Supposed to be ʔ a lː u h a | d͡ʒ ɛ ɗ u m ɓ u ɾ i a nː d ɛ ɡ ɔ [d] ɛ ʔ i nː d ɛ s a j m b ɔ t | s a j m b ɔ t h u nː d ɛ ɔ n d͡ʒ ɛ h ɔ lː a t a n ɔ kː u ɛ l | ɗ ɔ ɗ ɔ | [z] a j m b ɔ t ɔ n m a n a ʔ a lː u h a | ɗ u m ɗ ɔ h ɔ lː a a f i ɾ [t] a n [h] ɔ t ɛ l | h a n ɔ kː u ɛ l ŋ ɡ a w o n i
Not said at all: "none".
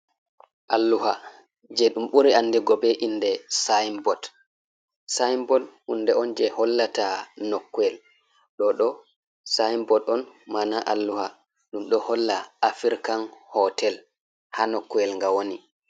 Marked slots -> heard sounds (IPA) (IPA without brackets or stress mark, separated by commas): b, s, k, h